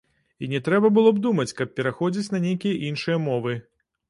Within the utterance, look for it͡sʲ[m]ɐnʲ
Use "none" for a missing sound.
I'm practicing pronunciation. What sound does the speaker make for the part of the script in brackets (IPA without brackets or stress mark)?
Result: n